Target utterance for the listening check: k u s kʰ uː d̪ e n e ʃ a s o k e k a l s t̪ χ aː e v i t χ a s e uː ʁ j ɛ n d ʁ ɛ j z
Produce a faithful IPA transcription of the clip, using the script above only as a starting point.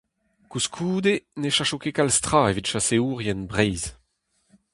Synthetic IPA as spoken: k u s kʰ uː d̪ e n e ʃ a ʃ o k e k a l s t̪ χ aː e v i t ʃ a s e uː ʁ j ɛ n b ʁ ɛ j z

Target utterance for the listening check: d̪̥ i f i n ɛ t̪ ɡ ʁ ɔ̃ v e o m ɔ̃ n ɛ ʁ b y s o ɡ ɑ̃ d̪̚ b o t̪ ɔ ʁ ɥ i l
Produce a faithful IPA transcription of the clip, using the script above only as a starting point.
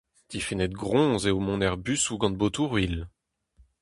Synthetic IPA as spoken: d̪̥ i f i n ɛ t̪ ɡ ʁ ɔ̃ z e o m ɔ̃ n ɛ ʁ b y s u ɡ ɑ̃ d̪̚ b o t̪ u ʁ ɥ i l

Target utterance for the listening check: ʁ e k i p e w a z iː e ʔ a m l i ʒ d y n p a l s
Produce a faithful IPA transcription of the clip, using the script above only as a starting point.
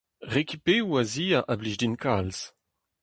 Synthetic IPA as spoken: ʁ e k i p e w a z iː a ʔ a b l i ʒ d i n k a l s

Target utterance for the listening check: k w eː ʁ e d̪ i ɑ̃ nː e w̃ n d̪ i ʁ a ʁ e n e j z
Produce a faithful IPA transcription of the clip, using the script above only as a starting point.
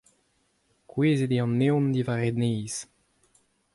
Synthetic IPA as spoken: k w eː z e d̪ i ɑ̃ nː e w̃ n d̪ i v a ʁ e n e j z

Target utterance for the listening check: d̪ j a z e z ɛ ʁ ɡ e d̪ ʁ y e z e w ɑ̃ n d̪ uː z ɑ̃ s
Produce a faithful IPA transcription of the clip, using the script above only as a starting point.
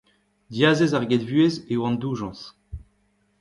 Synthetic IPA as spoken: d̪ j a z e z a ʁ ɡ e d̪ v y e z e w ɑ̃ n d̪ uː ʒ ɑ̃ s

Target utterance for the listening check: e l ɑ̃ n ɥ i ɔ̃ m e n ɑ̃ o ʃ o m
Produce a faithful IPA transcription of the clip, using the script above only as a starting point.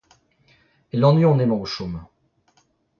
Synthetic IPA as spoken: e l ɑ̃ n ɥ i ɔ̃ n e m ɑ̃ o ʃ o m

